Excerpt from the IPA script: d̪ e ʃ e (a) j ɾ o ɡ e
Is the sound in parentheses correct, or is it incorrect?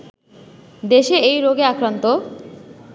incorrect